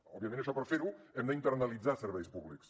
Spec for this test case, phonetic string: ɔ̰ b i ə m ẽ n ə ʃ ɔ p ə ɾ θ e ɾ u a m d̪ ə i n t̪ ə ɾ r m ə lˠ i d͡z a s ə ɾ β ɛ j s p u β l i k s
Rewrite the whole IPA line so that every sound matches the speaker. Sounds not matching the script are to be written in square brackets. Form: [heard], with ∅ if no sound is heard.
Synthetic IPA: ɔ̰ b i ə m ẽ n ə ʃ ɔ p ə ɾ [f] e ɾ u [ɛ] m d̪ ə i n t̪ ə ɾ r [n] ə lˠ i d͡z a s ə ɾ β ɛ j s p u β l i k s